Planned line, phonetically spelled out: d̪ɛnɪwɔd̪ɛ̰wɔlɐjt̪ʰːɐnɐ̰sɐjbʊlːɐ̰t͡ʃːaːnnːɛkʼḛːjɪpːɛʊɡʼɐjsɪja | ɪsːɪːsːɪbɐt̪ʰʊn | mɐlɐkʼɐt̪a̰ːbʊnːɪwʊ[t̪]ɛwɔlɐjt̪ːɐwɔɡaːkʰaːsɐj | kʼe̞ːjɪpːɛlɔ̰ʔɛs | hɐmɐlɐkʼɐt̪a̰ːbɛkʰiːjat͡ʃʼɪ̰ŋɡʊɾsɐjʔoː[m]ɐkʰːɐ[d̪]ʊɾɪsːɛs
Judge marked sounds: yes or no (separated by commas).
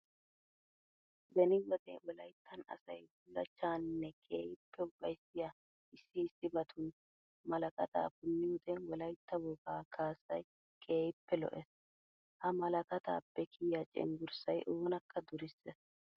no, no, yes